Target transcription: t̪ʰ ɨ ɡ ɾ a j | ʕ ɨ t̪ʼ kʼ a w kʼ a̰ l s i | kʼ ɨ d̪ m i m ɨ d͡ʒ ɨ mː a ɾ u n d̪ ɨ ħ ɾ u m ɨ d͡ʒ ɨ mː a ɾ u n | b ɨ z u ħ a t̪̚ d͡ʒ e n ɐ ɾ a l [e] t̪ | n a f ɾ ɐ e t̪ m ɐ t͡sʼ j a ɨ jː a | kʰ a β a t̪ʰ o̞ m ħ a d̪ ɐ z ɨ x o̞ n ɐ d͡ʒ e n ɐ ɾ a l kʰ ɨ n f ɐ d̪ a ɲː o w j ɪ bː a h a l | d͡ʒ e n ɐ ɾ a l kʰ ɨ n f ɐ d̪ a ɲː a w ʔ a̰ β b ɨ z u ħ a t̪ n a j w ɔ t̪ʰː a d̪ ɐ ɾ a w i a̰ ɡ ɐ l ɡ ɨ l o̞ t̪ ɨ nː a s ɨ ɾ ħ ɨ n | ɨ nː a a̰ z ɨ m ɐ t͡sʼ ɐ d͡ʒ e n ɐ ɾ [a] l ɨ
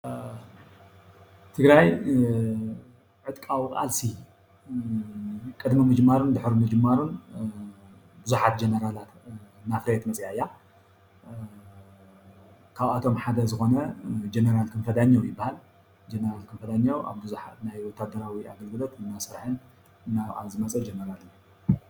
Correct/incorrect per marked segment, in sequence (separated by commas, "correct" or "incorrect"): incorrect, correct